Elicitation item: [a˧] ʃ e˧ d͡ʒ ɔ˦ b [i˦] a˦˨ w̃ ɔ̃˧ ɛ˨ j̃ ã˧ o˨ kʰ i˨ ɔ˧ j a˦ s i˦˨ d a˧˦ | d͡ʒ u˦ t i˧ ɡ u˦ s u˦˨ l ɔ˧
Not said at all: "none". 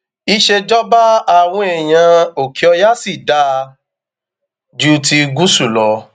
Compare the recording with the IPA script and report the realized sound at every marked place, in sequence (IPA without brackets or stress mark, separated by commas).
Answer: i˧, a˦